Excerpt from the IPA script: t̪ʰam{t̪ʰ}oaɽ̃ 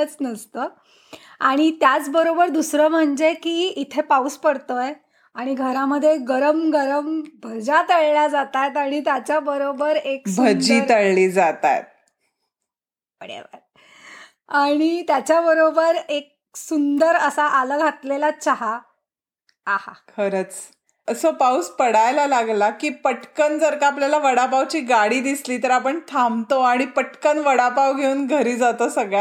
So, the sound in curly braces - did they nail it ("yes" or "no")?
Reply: no